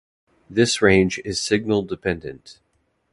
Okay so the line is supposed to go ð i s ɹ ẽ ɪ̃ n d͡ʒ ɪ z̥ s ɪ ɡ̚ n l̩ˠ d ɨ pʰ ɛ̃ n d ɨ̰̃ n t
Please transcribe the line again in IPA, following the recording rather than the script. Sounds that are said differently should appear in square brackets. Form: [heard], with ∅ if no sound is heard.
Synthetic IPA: ð [ɪ] s ɹ ẽ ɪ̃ n d͡ʒ ɪ z̥ s ɪ ɡ̚ n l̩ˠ d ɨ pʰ ɛ̃ n d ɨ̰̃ n t